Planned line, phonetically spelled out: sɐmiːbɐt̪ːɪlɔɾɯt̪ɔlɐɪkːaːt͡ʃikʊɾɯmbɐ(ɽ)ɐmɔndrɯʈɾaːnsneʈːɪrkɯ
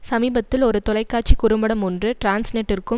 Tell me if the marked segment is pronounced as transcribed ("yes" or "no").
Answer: yes